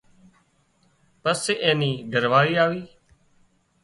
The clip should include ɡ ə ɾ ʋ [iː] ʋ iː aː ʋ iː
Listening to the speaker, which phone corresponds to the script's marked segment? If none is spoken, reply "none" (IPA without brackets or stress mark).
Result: aː